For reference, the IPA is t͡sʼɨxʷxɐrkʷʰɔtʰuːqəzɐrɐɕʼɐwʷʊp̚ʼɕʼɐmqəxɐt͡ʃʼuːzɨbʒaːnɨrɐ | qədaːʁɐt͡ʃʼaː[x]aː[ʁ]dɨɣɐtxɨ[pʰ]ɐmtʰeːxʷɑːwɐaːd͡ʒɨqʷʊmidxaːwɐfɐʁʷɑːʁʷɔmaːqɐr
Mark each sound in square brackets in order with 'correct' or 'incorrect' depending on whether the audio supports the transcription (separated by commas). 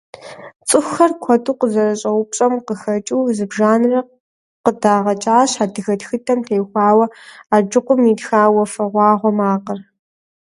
incorrect, incorrect, incorrect